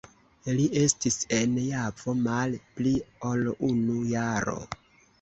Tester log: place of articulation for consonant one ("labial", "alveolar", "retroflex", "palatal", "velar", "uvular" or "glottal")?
alveolar